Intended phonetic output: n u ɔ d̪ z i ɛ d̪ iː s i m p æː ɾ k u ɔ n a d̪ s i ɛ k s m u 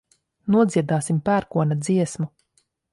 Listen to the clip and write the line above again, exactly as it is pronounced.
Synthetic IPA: n u ɔ d̪ z i ɛ d̪ aː s i m p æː ɾ k u ɔ n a d̪ z i ɛ s m u

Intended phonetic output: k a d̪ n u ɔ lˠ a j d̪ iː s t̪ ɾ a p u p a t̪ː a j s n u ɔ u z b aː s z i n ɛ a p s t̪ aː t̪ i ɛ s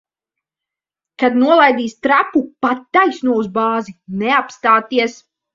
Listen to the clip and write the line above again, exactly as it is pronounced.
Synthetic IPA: k a d̪ n u ɔ lˠ a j d̪ iː s t̪ ɾ a p u p a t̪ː a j s n u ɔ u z b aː z i n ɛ a p s t̪ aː t̪ i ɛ s

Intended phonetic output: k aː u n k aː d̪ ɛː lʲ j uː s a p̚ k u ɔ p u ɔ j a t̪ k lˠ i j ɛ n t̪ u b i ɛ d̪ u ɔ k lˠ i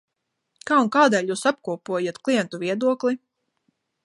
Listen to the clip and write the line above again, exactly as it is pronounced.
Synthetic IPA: k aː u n k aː d̪ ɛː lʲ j uː s a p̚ k u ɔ p u ɔ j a t̪ k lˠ i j ɛ n t̪ u v i ɛ d̪ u ɔ k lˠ i

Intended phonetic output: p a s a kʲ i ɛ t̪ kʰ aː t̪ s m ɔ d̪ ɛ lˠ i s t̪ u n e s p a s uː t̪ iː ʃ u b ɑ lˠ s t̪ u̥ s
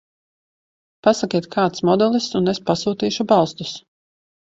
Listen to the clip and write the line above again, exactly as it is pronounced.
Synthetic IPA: p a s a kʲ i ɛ t̪ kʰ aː t̪ s m ɔ d̪ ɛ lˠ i s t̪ u n e s p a s uː t̪ iː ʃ u b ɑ lˠ s t̪ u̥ s

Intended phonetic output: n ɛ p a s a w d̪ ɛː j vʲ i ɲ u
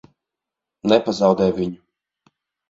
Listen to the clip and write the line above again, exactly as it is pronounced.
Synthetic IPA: n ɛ p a z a w d̪ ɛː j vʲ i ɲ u

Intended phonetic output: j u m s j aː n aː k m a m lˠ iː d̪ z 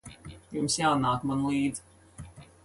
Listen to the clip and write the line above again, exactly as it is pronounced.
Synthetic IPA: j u m s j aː n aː k m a n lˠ iː d̪ z

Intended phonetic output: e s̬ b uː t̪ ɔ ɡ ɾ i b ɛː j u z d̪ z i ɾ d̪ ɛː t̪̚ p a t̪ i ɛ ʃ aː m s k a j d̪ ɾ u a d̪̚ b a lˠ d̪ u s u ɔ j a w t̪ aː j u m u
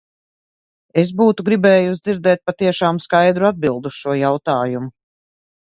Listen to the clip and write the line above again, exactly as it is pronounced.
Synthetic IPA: e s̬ b uː t̪ u ɡ ɾ i b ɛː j u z d̪ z i ɾ d̪ ɛː t̪̚ p a t̪ i ɛ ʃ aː m s k a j d̪ ɾ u a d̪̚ b i lˠ d̪ u ʃ u ɔ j a w t̪ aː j u m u

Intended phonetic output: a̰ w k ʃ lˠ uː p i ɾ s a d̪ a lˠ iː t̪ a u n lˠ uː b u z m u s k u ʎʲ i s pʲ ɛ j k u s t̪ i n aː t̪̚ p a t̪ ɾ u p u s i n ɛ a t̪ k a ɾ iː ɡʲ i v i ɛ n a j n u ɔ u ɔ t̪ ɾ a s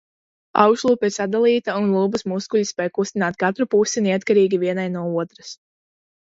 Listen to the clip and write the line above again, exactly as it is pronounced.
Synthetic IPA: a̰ w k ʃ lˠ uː p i ɾ s a d̪ a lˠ iː t̪ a u n lˠ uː b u s m u s k u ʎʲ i s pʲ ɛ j k u s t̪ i n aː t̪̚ k a t̪ ɾ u p u s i n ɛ a t̪ k a ɾ iː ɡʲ i v i ɛ n a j n u ɔ u ɔ t̪ ɾ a s

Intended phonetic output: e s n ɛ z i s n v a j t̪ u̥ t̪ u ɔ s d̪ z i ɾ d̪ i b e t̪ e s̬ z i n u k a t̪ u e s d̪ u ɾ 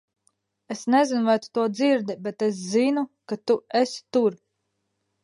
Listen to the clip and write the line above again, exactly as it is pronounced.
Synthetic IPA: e s n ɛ z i n v a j t̪ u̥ t̪ u ɔ d̪ z i ɾ d̪ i b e t̪ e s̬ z i n u k a t̪ u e s t̪ u ɾ

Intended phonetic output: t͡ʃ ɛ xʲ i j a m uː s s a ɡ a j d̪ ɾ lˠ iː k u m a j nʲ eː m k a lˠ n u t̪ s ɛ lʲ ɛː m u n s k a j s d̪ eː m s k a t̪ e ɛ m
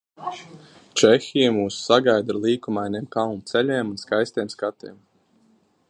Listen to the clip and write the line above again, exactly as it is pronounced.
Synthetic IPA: t͡ʃ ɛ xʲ i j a m uː s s a ɡ a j d̪ ɾ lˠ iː k u m a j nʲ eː m k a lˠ n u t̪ s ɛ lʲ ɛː m u n s k a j s t̪ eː m s k a t̪ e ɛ m

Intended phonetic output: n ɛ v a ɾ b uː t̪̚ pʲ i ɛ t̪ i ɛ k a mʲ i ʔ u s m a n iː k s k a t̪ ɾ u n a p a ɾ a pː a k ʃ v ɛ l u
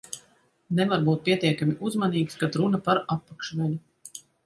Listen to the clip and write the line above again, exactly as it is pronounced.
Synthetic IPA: n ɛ v a ɾ b uː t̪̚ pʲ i ɛ t̪ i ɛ k a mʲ i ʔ u z m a n iː k s k a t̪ ɾ u n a p a ɾ a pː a k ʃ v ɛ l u

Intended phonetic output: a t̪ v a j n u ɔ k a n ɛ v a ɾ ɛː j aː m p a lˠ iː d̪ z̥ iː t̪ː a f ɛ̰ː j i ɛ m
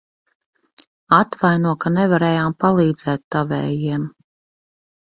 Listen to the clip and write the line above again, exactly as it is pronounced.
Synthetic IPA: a t̪ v a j n u ɔ k a n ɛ v a ɾ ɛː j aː m p a lˠ iː d̪ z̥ ɛː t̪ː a v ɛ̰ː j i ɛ m

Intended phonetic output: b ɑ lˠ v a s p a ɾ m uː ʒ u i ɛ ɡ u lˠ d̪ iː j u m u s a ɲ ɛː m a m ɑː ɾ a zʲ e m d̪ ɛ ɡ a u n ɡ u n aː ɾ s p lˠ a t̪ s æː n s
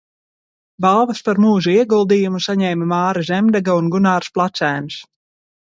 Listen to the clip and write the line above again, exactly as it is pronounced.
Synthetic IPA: b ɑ lˠ v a s p a ɾ m uː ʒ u i ɛ ɡ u lˠ d̪ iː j u m u s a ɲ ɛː m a m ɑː ɾ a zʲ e m d̪ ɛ ɡ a u n ɡ u n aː ɾ s p lˠ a t̪ s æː n s

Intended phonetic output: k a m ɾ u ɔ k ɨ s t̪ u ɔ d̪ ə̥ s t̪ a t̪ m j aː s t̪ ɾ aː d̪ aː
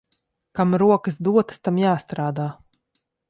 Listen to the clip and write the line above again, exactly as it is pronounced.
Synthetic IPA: k a m ɾ u ɔ k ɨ s d̪ u ɔ t̪ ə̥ s t̪ a m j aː s t̪ ɾ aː d̪ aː

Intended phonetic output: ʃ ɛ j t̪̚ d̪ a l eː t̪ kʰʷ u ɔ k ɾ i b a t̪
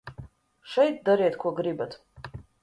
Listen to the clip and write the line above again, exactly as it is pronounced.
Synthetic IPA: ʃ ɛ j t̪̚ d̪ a ɾ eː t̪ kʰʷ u ɔ ɡ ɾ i b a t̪

